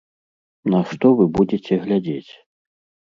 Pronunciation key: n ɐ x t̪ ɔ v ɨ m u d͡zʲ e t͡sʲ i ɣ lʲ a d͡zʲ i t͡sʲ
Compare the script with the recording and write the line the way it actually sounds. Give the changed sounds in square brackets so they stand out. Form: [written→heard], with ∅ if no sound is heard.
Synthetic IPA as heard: n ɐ [x→ʂ] t̪ ɔ v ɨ [m→b] u d͡zʲ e t͡sʲ [i→ɛ] ɣ lʲ a d͡zʲ [i→e] t͡sʲ